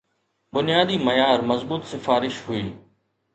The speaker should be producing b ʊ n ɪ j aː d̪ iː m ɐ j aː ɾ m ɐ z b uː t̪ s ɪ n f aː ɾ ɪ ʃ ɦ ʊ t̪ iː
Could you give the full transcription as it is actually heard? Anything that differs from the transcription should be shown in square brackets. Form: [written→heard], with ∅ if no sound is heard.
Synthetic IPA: b ʊ n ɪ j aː d̪ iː m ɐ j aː ɾ m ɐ z b uː t̪ s ɪ [n→∅] f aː ɾ ɪ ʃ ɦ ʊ [t̪→∅] iː